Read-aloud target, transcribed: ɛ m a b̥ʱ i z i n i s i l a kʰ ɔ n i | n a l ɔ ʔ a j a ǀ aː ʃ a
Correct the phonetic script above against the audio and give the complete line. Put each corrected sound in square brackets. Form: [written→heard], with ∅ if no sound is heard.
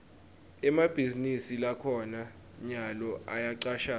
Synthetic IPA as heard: ɛ m a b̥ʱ i z i n i s i l a kʰ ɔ n [i→a] | [n→ɲ] a l ɔ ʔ a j a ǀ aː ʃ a